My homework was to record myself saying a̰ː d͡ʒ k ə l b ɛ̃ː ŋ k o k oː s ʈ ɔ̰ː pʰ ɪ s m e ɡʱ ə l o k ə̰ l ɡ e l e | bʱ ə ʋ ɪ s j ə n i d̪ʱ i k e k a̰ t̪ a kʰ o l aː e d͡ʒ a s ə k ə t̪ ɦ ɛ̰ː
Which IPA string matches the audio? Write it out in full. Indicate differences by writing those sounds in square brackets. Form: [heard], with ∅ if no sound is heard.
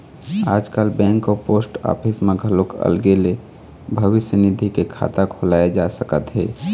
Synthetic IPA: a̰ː d͡ʒ k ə l b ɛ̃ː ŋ k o [p] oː s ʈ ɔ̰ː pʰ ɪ s m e ɡʱ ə l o k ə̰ l ɡ e l e | bʱ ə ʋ ɪ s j ə n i d̪ʱ i k e [kʰ] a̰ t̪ a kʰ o l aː e d͡ʒ a s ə k ə t̪ ɦ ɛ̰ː